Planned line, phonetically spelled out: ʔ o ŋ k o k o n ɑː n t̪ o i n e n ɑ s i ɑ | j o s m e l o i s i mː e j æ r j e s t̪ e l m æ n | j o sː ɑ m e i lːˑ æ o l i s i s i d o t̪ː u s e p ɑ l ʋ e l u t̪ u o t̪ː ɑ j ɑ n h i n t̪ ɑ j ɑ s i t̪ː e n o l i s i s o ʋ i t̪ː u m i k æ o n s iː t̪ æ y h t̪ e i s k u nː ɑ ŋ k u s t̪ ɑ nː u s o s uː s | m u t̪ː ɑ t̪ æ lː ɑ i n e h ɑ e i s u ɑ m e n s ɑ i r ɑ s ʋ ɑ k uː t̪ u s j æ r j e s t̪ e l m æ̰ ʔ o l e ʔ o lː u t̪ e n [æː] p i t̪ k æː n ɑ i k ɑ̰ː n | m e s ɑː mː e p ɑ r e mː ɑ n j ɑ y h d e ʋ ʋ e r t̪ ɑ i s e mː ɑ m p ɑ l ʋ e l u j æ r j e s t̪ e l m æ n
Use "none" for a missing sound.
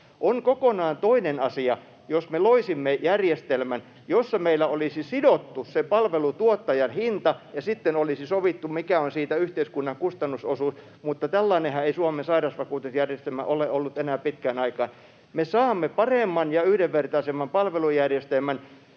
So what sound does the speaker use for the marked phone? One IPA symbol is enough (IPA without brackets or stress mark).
æː